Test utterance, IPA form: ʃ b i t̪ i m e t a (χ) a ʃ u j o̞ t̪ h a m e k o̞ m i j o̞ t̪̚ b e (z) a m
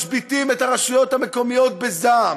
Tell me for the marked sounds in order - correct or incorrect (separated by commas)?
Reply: incorrect, correct